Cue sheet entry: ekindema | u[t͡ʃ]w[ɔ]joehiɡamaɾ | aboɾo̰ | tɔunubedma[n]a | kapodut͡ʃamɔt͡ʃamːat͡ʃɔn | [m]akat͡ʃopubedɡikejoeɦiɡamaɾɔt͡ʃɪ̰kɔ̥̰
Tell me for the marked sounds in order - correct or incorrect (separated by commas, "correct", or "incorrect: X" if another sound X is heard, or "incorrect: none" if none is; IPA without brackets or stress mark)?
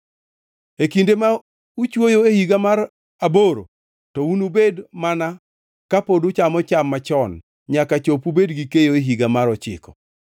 correct, incorrect: o, correct, incorrect: ɲ